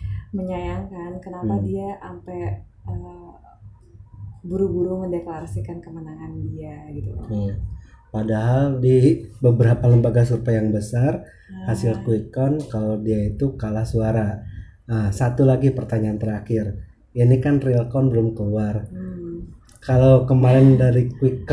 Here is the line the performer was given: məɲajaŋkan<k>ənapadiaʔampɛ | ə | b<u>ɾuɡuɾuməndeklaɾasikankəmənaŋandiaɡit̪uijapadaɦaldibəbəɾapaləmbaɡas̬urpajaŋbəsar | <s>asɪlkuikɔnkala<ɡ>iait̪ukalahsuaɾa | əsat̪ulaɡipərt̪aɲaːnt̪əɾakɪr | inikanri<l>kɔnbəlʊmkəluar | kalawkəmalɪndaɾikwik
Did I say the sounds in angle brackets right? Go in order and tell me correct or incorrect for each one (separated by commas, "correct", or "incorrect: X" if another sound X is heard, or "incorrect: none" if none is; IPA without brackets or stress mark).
correct, correct, incorrect: h, incorrect: d, correct